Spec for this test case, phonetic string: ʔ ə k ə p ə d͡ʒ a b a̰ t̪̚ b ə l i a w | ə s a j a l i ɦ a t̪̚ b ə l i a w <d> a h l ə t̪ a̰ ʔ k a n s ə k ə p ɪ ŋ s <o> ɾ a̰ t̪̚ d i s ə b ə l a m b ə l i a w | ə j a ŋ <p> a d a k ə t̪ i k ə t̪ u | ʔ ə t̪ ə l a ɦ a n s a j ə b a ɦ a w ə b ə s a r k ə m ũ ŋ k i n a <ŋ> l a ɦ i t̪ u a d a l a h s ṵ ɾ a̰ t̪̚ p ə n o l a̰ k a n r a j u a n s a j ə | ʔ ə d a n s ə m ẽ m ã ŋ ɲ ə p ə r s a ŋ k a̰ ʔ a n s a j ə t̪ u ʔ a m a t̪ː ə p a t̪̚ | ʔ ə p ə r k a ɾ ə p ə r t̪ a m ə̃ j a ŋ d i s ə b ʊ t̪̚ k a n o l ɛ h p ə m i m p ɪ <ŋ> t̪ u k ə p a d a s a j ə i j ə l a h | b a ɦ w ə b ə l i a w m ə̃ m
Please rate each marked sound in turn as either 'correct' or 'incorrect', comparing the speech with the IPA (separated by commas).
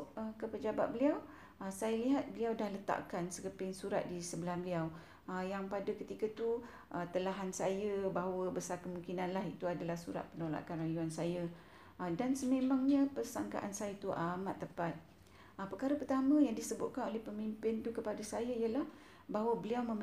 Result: correct, incorrect, correct, incorrect, incorrect